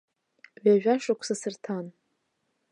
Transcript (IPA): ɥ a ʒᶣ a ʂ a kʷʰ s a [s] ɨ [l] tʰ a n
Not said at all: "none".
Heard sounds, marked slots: s, r

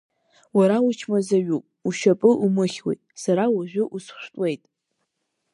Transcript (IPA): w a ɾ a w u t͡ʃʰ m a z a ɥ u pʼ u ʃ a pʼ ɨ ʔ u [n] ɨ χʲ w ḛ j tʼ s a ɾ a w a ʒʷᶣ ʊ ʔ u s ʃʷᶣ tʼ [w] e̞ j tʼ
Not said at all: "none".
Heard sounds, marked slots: m, w

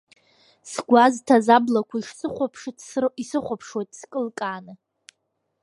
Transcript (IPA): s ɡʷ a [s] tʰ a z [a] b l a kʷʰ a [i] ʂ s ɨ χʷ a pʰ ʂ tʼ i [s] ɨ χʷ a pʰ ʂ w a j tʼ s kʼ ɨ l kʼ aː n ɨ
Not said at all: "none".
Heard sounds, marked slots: z, a, i, s

